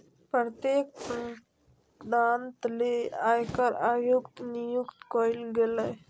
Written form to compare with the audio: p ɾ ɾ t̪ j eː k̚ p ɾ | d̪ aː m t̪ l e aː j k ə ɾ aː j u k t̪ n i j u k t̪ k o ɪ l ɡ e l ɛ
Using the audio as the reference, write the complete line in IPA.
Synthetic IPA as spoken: p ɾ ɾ t̪ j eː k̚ p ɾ | d̪ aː n t̪ l e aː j k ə ɾ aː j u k t̪ n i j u k t̪ k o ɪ l ɡ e l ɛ